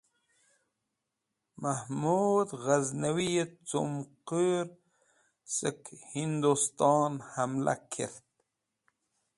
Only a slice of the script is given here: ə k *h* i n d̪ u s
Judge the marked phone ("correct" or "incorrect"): correct